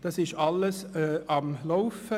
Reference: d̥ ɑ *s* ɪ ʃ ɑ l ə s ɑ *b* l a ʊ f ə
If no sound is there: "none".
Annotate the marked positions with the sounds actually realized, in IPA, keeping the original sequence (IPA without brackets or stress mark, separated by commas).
s, m